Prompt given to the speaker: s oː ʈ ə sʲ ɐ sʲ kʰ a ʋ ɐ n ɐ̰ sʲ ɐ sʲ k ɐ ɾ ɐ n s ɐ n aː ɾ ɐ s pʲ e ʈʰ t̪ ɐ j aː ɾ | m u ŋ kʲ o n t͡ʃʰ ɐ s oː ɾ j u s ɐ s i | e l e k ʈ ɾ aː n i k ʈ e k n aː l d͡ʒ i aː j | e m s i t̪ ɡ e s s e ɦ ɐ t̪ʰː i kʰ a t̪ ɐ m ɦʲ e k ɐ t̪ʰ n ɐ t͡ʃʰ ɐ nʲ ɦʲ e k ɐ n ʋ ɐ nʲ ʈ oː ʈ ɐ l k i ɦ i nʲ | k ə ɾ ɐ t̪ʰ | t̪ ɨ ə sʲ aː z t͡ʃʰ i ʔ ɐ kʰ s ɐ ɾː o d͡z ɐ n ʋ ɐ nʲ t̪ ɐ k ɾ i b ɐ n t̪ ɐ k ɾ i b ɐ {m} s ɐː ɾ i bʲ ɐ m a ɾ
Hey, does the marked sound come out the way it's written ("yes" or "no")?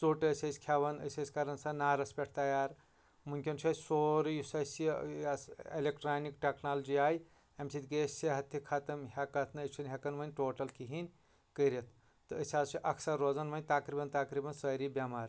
no